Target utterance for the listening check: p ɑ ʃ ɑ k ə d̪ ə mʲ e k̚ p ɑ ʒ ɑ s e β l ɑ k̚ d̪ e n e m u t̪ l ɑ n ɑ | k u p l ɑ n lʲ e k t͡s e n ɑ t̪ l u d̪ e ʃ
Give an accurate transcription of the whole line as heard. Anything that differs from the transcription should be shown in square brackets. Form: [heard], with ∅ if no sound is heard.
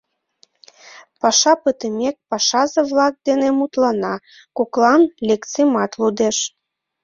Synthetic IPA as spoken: p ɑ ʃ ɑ [p] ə [t̪] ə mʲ e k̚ p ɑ [ʃ] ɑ [z] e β l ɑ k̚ d̪ e n e m u t̪ l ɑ n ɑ | k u [k] l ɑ n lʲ e k t͡s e [m] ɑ t̪ l u d̪ e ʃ